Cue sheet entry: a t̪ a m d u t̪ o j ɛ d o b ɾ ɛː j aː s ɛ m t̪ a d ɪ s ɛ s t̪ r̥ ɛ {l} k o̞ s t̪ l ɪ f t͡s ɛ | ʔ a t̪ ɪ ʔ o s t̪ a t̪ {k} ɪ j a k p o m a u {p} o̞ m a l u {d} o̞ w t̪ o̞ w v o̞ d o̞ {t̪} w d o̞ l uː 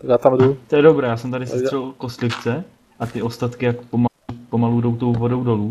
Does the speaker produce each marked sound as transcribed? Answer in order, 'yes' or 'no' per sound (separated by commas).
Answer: yes, yes, yes, yes, no